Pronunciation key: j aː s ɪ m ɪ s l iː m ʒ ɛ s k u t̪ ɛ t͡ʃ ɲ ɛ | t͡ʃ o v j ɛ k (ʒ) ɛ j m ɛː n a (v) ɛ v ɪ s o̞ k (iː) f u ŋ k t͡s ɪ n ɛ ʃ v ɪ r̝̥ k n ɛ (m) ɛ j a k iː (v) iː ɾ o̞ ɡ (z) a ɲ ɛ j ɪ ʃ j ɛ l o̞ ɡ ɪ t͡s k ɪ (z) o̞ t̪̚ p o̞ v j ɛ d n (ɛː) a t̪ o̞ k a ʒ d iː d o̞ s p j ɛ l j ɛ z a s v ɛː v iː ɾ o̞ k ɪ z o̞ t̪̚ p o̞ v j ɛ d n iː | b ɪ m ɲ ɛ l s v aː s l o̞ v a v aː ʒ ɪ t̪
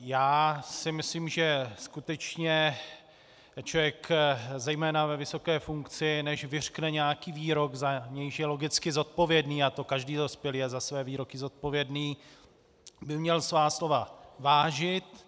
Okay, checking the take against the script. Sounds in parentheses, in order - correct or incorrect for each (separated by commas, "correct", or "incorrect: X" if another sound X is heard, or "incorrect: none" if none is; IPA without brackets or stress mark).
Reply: incorrect: z, correct, incorrect: ɛː, incorrect: ɲ, correct, correct, correct, incorrect: iː